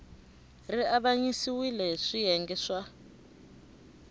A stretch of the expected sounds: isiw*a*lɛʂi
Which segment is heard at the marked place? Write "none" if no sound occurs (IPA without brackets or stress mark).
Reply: i